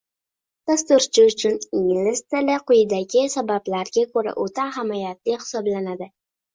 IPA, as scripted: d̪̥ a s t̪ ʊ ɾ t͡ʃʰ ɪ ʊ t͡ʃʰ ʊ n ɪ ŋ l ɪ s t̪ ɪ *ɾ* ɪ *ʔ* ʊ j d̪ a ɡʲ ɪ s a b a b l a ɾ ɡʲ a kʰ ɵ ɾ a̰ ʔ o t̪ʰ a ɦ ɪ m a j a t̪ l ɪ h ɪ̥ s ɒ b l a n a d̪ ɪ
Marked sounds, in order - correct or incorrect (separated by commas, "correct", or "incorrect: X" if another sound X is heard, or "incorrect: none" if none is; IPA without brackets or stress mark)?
incorrect: l, incorrect: q